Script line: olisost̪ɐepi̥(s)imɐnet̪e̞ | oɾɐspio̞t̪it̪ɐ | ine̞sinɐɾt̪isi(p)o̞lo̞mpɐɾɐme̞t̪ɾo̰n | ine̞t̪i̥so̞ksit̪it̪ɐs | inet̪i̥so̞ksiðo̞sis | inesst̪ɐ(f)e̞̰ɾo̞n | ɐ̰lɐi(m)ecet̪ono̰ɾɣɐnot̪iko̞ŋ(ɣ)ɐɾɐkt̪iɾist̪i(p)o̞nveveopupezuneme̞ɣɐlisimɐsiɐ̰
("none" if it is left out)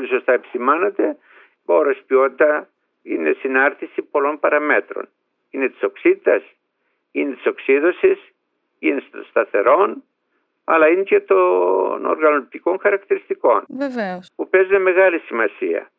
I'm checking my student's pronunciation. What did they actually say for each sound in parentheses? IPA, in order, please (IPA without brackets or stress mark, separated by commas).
s, p, θ, n, x, k